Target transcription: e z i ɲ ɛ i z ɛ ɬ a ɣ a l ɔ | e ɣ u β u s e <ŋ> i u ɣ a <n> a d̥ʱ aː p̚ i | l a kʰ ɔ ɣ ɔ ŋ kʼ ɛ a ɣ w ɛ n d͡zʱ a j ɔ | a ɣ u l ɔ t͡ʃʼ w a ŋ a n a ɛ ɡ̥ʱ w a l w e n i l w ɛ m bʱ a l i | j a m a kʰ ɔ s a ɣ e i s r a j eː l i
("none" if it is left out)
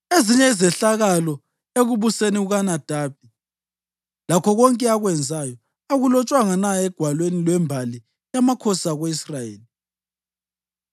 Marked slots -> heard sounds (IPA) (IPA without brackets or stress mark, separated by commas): n, n